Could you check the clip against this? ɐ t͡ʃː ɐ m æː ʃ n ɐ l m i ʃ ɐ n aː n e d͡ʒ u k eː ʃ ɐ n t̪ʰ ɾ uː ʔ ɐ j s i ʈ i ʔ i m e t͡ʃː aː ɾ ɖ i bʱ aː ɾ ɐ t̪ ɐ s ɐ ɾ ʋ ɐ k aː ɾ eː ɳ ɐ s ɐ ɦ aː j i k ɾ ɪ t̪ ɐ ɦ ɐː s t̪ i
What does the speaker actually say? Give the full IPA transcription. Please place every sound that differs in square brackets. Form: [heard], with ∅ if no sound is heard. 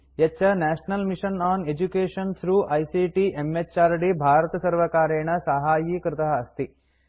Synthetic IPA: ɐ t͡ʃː ɐ [n] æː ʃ n ɐ l m i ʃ ɐ n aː n e d͡ʒ u k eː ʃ ɐ n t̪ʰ ɾ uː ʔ ɐ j s i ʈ i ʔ [e] m e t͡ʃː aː ɾ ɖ i bʱ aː ɾ ɐ t̪ ɐ s ɐ ɾ ʋ ɐ k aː ɾ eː ɳ ɐ s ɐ ɦ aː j i k ɾ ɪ t̪ ɐ ɦ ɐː s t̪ i